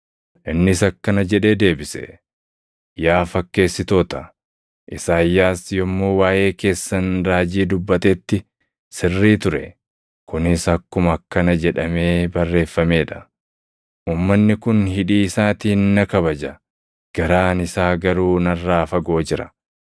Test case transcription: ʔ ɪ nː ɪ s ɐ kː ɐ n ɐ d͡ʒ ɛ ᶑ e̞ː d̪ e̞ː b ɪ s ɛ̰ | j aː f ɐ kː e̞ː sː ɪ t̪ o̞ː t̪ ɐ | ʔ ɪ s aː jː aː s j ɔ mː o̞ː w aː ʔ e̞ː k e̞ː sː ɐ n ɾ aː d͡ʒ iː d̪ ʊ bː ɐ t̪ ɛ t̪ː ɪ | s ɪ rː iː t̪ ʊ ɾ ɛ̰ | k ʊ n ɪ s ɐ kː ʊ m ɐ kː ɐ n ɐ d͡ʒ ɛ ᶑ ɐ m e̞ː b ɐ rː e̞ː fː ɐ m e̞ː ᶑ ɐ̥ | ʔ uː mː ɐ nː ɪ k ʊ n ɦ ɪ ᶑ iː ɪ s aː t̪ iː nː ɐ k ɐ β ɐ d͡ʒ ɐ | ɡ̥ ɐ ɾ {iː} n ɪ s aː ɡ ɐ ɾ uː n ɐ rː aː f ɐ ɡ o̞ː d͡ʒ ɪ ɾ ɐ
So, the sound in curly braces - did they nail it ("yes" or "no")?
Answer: no